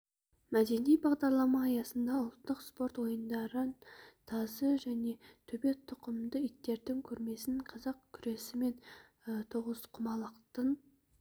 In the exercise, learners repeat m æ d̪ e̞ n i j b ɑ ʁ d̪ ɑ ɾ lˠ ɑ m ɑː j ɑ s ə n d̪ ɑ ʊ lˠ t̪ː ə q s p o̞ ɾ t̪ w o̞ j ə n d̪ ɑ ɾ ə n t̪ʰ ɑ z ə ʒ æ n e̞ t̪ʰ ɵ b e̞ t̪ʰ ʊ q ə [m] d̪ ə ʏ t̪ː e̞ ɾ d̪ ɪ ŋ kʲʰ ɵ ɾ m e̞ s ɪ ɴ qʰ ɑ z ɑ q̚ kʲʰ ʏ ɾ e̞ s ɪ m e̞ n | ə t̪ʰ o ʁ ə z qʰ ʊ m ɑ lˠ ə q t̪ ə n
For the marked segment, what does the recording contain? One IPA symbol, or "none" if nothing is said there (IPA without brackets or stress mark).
m